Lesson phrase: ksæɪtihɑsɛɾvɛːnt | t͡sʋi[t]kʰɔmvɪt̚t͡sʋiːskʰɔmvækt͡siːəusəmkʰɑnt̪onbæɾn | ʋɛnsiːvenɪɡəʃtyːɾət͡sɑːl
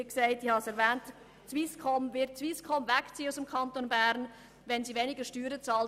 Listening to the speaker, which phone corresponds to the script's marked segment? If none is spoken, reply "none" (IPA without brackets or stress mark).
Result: s